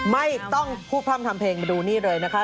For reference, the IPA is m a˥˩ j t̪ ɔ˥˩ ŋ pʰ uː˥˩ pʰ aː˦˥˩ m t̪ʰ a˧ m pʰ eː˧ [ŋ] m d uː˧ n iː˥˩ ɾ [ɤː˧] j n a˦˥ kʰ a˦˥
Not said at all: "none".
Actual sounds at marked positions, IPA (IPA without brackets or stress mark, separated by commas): ŋ, ɤː˧